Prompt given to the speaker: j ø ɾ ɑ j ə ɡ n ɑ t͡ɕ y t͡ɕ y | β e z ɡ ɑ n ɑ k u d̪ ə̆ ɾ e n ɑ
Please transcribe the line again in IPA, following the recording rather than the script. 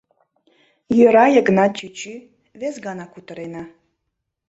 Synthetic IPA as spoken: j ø ɾ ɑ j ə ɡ n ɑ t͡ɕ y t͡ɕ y | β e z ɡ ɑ n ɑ k u t̪ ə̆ ɾ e n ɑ